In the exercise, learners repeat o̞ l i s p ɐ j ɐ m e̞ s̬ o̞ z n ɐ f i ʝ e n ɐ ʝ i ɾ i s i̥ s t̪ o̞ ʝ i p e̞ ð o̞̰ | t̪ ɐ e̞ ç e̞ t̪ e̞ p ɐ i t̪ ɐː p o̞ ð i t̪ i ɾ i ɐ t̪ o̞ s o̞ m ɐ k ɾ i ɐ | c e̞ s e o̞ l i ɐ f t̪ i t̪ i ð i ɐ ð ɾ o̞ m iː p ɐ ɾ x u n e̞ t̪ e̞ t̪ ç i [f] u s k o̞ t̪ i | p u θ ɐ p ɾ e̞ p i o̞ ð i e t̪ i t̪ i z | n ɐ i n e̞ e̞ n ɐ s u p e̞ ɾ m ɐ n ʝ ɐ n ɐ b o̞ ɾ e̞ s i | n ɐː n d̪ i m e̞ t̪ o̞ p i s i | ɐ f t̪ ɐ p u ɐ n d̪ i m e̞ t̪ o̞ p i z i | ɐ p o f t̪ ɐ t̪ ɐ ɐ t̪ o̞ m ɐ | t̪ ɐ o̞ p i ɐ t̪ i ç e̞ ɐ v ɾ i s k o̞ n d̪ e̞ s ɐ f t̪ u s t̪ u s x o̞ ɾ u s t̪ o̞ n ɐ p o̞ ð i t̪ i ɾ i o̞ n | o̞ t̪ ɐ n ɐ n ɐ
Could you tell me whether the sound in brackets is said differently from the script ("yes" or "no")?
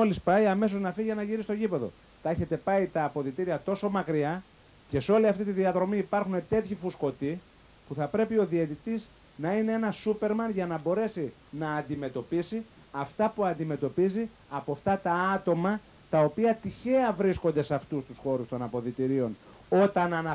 no